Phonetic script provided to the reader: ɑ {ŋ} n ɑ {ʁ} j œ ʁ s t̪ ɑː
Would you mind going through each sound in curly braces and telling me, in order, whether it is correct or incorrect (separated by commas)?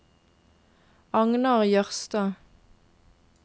correct, correct